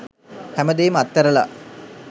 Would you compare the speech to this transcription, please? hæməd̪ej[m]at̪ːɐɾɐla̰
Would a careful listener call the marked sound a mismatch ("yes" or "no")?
no